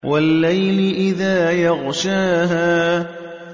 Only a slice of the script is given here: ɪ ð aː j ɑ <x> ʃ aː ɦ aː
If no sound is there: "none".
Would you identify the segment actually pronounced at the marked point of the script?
ɣ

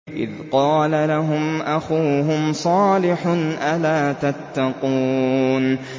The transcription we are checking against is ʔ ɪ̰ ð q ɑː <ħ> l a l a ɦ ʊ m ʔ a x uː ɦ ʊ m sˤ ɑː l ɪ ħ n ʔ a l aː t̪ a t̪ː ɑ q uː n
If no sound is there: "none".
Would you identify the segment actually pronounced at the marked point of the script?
none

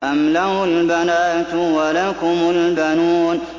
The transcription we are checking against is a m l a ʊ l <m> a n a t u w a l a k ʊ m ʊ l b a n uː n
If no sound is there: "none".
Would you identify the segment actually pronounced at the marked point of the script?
b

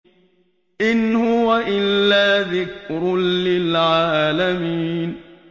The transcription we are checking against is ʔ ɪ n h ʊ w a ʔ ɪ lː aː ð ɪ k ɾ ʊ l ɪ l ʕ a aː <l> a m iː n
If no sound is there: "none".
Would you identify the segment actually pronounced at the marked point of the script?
l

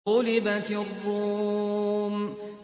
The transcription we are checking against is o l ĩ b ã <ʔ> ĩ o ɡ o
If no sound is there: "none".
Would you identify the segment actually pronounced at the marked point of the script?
t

